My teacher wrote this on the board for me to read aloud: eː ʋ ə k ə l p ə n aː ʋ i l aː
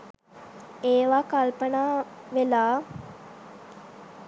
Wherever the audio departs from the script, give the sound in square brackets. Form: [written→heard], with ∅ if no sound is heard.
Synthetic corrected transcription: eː ʋ [ə→a] k [ə→a] l p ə n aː ʋ [i→e] l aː

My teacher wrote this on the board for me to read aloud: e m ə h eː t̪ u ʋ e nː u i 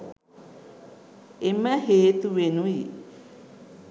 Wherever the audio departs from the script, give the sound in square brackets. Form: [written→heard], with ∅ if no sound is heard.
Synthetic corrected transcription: e m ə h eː t̪ u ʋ e [nː→n] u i

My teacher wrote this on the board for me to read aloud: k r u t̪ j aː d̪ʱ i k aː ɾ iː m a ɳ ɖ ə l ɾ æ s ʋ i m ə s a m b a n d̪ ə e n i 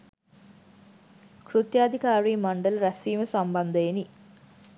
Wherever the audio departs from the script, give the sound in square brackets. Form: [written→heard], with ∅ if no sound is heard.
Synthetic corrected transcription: k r u t̪ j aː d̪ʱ i k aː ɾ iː m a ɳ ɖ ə l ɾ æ s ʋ [i→iː] m ə s a m b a n d̪ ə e n i

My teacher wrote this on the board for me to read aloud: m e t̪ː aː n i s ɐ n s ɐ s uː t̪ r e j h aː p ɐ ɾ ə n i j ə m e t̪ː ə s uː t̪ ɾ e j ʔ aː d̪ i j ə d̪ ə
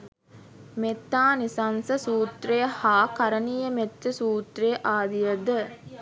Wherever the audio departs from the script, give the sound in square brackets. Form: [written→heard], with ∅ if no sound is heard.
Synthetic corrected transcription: m e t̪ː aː n i s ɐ n s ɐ s uː t̪ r e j h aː [p→k] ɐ ɾ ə n i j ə m e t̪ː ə s uː t̪ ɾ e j ʔ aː d̪ i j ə d̪ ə

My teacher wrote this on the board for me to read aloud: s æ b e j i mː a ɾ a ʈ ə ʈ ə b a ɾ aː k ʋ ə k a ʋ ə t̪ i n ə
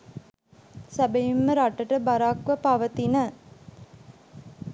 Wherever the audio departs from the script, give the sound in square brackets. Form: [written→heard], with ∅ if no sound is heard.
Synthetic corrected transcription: s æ b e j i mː [a→ə] ɾ a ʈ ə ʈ ə b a ɾ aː k ʋ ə [k→p] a ʋ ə t̪ i n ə

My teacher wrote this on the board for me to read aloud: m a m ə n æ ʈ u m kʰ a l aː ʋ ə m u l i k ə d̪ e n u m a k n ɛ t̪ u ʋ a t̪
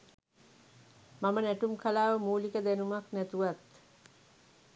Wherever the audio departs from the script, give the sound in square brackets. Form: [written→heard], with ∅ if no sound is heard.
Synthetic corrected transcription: m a m ə n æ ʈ u m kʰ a l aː ʋ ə m [u→uː] l i k ə d̪ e n u m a k n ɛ t̪ u ʋ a t̪

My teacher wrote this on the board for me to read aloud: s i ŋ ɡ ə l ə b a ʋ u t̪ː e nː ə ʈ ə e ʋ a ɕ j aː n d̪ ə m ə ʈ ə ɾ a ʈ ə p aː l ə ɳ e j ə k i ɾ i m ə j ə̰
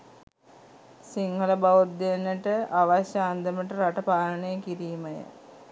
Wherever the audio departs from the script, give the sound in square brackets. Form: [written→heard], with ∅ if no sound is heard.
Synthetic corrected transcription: s i ŋ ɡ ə l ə b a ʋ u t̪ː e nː ə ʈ ə [e→a] ʋ a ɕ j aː n d̪ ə m ə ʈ ə ɾ a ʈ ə p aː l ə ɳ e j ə k i ɾ [i→iː] m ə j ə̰

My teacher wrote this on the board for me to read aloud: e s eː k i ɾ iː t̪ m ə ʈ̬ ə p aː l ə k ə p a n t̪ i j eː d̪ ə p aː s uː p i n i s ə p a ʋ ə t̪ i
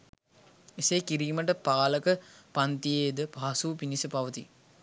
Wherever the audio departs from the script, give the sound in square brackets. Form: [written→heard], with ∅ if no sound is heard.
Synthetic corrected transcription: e s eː k i ɾ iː [t̪→∅] m ə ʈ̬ ə p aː l ə k ə p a n t̪ i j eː d̪ ə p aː s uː p i n i s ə p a ʋ ə t̪ i

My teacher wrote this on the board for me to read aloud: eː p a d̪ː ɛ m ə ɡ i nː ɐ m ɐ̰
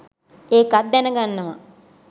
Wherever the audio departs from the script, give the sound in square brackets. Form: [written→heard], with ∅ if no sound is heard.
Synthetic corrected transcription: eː [p→k] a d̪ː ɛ [m→n] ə ɡ [i→a] nː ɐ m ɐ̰

